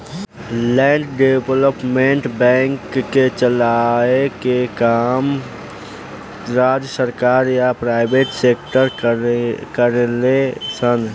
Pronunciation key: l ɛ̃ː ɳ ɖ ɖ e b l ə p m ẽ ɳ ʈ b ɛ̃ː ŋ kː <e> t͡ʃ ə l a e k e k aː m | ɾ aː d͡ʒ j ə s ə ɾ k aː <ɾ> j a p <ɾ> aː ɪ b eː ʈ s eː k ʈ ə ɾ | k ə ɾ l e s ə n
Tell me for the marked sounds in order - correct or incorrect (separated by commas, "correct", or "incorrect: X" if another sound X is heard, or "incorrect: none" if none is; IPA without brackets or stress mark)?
correct, correct, correct